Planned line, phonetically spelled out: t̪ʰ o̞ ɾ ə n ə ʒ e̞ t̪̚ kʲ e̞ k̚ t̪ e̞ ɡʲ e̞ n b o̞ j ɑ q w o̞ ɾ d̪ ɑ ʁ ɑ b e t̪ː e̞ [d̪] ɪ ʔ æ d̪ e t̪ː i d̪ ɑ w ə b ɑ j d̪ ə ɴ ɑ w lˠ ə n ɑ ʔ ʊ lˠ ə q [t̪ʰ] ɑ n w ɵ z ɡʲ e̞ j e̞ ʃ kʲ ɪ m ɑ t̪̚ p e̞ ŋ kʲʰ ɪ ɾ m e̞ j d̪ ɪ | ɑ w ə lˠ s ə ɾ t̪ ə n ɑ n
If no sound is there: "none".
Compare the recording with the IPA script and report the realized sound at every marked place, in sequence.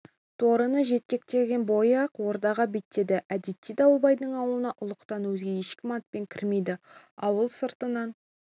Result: d̪, t̪

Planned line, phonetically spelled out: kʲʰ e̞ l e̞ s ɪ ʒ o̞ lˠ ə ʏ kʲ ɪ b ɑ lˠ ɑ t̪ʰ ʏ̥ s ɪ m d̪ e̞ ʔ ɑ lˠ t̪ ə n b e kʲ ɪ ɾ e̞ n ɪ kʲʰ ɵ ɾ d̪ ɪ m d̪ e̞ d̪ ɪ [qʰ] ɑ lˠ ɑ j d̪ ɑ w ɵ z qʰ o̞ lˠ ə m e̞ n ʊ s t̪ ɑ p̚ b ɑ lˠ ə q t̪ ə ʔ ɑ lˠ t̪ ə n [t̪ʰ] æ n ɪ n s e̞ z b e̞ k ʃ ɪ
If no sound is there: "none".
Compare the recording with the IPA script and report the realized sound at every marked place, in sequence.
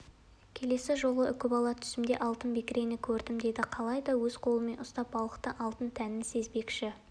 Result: qʰ, t̪ʰ

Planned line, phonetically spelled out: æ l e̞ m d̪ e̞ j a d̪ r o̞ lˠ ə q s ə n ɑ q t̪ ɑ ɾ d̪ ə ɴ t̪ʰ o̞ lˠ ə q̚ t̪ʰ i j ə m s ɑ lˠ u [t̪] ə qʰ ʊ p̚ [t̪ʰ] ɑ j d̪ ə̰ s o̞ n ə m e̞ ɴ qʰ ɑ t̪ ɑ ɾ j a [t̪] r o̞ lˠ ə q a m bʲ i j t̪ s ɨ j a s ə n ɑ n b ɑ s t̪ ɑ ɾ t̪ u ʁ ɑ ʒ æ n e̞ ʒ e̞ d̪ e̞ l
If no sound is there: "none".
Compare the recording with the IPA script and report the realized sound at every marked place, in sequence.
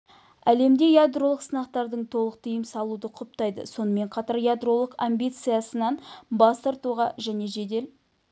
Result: d̪, t̪, d̪

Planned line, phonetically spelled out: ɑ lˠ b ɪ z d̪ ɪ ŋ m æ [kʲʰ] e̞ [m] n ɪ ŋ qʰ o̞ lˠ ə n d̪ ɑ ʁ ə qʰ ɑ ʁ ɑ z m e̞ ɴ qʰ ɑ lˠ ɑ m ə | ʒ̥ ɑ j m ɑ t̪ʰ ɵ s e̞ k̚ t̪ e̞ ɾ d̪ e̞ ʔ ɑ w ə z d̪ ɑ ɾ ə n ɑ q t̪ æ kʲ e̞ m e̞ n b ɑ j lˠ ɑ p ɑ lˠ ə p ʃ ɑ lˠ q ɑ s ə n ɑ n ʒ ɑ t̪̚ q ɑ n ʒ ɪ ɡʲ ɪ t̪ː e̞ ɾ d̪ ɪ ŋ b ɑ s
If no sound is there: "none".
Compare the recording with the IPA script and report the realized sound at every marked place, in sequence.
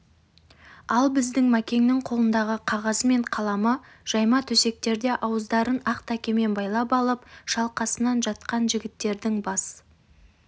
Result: kʲ, ŋ

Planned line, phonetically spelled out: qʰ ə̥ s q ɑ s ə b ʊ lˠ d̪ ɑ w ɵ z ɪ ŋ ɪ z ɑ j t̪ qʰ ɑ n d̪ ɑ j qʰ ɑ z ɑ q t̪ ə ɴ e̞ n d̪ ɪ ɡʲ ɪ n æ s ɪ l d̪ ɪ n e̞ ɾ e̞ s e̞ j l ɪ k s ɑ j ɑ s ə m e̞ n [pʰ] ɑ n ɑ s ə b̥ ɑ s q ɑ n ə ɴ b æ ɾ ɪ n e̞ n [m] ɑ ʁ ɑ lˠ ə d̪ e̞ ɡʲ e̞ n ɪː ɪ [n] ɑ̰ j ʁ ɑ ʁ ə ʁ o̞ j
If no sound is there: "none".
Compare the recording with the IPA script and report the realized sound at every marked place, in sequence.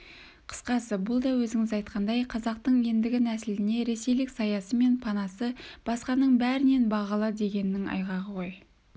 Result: pʰ, b, ŋ

